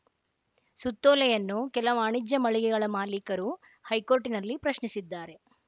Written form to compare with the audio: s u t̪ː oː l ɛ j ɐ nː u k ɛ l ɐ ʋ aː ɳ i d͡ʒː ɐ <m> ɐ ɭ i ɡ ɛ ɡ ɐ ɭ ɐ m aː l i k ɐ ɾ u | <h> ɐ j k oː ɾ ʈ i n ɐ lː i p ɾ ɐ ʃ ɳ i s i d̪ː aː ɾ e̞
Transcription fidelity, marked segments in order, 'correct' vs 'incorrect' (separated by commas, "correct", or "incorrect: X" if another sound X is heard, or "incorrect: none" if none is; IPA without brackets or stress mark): correct, correct